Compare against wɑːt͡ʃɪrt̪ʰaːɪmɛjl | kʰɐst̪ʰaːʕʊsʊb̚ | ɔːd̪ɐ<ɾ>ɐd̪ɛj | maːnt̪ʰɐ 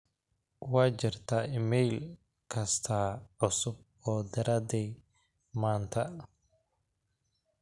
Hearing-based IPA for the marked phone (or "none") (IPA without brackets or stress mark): ɾ